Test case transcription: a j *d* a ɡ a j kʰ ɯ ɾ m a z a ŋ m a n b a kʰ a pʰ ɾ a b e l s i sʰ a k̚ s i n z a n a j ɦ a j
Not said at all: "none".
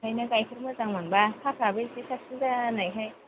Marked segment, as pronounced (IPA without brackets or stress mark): n